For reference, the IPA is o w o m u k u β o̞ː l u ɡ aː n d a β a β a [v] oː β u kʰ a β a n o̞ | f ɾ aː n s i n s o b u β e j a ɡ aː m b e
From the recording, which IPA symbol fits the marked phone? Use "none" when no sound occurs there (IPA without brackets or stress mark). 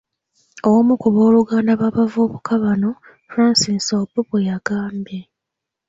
v